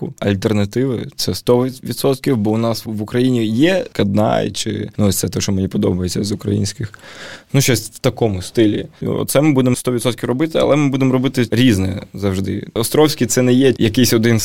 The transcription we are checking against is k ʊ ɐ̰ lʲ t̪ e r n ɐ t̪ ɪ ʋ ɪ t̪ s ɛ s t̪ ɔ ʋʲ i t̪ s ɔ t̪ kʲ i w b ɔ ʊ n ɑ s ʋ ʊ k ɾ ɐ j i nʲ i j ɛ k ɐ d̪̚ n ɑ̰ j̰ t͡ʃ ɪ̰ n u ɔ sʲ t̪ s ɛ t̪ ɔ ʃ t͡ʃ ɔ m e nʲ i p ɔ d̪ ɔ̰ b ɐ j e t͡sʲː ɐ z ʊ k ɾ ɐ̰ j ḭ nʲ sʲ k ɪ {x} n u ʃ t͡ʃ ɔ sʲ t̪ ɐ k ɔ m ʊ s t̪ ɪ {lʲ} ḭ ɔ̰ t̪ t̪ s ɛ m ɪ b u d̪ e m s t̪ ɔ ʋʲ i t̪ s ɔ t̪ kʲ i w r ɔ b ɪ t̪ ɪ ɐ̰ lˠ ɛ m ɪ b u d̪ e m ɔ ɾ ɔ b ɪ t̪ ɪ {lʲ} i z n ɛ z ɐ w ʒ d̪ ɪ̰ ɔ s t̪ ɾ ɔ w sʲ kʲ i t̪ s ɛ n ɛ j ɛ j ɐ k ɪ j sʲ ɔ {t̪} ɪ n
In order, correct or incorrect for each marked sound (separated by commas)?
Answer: correct, correct, incorrect, incorrect